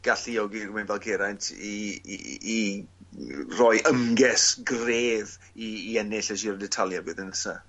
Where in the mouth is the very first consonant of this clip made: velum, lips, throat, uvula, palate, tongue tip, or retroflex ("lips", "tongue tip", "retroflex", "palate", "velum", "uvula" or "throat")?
velum